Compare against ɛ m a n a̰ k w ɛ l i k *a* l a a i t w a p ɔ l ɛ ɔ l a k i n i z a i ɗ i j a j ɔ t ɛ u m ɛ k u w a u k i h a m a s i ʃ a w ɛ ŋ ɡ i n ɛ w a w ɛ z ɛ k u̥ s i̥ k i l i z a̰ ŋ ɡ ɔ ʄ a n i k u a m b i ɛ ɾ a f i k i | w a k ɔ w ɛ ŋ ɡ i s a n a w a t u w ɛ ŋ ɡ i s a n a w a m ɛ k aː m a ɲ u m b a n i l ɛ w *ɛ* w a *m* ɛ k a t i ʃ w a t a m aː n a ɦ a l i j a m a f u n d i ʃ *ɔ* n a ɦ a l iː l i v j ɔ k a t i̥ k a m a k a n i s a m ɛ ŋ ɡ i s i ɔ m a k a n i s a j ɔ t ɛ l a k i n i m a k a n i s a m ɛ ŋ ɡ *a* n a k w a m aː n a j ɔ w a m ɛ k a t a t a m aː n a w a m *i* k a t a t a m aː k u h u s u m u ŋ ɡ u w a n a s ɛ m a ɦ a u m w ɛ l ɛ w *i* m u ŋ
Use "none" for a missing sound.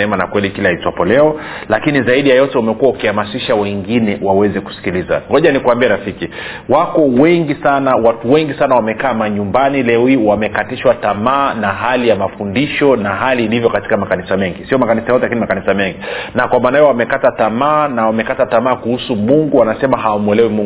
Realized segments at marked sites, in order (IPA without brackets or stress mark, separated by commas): i, i, m, ɔ, i, ɛ, i